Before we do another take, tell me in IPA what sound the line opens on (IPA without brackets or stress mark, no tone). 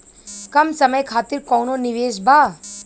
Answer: k